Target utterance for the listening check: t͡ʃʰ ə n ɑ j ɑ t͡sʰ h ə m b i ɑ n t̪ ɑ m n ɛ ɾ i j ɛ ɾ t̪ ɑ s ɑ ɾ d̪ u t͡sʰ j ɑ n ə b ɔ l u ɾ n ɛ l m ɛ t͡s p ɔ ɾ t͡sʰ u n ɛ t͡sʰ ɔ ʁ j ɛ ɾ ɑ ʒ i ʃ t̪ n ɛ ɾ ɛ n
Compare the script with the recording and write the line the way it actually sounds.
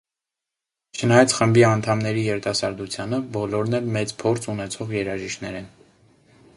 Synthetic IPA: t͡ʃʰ ə n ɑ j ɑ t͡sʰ χ ə m b i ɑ n t̪ʰ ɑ m n ɛ ɾ i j ɛ ɾ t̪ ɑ s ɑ ɾ d̪ u t͡sʰ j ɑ n ə b ɔ l ɔ ɾ n ɛ l m ɛ t͡s pʰ ɔ ɾ t͡sʰ u n ɛ t͡sʰ ɔ ʁ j ɛ ɾ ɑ ʒ i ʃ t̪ n ɛ ɾ ɛ n